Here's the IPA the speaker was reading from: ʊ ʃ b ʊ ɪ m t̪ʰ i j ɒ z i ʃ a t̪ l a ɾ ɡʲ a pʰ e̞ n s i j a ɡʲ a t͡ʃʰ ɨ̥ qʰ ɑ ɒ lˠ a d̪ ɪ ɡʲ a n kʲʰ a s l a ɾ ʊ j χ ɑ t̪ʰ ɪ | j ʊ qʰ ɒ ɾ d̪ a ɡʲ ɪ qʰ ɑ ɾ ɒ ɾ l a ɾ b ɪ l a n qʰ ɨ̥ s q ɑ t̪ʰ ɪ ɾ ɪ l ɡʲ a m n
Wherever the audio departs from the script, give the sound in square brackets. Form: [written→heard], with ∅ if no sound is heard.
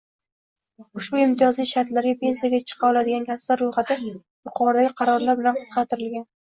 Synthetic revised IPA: ʊ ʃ b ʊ ɪ m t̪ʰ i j ɒ z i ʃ a t̪ l a ɾ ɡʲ a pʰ e̞ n s i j a ɡʲ a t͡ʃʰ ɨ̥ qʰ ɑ ɒ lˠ a d̪ ɪ ɡʲ a n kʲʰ a s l a ɾ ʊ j χ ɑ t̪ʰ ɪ | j ʊ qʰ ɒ ɾ d̪ a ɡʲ ɪ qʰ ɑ ɾ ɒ ɾ l a ɾ b ɪ l a n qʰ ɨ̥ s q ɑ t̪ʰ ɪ ɾ ɪ l ɡʲ a [m→∅] n